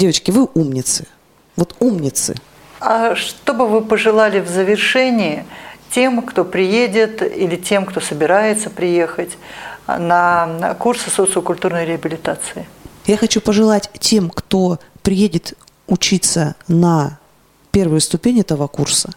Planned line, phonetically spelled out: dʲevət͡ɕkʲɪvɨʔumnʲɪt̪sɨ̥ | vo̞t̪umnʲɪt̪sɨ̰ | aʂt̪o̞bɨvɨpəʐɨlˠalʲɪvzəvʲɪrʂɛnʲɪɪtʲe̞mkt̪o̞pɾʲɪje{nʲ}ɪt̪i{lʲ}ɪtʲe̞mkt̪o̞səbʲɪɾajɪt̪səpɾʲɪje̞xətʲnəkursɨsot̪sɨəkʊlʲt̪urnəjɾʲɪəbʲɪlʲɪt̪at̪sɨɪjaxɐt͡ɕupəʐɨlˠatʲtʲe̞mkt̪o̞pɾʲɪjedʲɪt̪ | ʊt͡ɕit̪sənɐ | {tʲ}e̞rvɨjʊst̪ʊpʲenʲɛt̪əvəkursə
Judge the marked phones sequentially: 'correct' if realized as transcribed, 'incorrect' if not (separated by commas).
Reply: incorrect, correct, incorrect